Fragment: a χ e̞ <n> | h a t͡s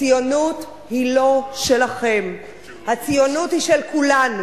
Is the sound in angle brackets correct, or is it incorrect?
incorrect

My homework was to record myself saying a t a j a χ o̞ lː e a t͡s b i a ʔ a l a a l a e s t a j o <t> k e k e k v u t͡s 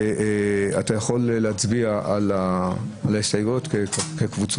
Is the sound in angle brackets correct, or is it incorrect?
correct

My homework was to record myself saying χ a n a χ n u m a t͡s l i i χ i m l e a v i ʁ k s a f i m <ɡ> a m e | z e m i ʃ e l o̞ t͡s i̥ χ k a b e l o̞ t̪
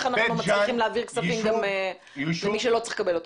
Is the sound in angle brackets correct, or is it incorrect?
correct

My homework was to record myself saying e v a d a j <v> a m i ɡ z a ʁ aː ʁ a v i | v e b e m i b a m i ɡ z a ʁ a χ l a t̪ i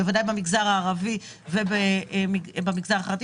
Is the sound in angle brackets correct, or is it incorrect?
incorrect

